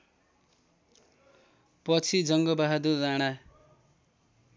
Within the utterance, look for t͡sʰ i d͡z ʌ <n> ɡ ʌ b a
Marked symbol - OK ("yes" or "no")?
no